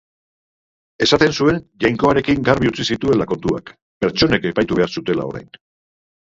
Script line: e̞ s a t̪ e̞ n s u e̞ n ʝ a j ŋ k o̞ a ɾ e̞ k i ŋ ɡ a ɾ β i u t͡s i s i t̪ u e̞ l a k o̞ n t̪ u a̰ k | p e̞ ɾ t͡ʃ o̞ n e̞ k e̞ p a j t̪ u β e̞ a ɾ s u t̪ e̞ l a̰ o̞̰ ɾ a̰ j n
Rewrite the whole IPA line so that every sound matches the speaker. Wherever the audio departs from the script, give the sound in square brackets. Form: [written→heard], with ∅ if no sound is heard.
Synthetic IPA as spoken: e̞ s a t̪ e̞ n s u e̞ n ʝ a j ŋ k o̞ a ɾ e̞ k i ŋ ɡ a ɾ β i u t͡s i s i t̪ u e̞ l a k o̞ n t̪ u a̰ k | p e̞ ɾ t͡ʃ o̞ n e̞ k e̞ p a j t̪ u β e̞ a ɾ s u t̪ e̞ l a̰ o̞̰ ɾ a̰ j n